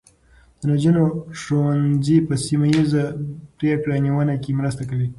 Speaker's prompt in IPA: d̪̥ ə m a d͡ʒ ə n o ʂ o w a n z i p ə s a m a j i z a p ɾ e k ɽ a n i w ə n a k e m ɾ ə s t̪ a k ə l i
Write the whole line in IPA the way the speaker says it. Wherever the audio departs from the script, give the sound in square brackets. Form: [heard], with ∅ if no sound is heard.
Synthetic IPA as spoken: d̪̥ ə [n] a d͡ʒ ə n o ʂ o w a n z i p ə s [i] m a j i z a p ɾ e k ɽ a n i w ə n a k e m ɾ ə s t̪ a k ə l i